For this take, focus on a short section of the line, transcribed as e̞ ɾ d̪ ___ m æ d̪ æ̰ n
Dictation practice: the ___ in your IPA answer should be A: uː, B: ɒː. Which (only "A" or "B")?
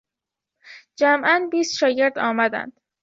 B